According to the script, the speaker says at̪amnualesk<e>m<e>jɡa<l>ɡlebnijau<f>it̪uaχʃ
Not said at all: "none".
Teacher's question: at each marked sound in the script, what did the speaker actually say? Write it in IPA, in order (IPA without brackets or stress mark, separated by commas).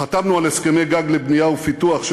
e, e, none, f